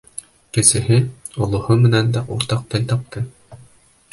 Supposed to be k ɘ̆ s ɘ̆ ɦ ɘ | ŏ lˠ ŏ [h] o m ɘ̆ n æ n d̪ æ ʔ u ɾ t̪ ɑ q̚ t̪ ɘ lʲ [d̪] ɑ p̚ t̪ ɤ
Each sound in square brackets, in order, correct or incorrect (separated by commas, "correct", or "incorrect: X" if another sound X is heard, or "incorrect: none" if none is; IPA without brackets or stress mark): correct, incorrect: t̪